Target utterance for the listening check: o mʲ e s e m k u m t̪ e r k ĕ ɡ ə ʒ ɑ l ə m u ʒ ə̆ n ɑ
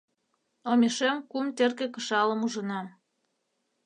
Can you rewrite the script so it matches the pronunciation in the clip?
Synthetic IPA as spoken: o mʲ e ʃ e m k u m t̪ e r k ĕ k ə ʃ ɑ l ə m u ʒ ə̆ n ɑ